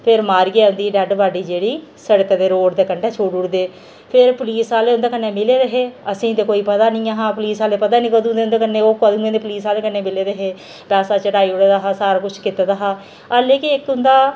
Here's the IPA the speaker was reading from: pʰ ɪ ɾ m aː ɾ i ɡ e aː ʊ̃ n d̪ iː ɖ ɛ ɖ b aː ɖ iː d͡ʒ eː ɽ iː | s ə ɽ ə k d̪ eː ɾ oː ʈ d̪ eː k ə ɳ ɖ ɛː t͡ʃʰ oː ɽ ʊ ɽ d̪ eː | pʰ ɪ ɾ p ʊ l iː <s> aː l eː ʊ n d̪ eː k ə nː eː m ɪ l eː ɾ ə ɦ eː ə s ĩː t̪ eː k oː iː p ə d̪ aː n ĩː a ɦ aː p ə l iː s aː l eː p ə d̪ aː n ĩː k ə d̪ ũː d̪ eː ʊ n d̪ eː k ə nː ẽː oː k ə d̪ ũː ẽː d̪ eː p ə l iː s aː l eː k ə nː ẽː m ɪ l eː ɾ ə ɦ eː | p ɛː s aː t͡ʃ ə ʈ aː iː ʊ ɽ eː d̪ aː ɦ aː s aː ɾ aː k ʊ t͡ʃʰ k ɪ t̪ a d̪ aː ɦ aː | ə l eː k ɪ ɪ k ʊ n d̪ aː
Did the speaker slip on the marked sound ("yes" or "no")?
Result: no